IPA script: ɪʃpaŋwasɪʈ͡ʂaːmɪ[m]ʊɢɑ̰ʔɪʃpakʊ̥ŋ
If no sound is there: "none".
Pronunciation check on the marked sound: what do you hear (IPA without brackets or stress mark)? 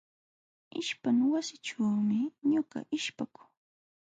ɲ